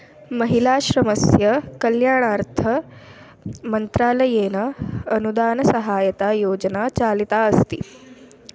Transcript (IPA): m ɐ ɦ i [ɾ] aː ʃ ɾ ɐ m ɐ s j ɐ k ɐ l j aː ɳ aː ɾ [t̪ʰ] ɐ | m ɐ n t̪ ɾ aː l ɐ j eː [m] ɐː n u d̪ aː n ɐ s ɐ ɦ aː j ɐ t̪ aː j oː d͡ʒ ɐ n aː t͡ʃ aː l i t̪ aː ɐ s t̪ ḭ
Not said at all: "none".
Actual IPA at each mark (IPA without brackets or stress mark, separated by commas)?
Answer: l, t̪ʰ, n